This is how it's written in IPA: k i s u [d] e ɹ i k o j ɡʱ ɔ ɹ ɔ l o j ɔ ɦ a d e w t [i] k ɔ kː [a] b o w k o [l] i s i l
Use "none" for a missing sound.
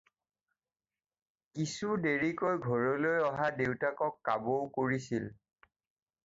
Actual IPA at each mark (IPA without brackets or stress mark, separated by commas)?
d, a, a, ɹ